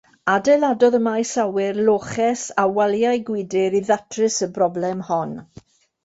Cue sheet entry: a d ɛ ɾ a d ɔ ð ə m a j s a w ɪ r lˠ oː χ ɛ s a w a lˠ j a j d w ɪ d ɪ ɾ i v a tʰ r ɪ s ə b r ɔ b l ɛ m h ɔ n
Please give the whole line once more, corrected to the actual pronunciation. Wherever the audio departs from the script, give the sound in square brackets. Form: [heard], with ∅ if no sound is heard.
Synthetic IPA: a d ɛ [l] a d ɔ ð ə m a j s a w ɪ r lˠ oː χ ɛ s a w a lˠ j a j [ɡ] w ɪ d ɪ ɾ i [ð] a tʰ r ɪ s ə b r ɔ b l ɛ m h ɔ n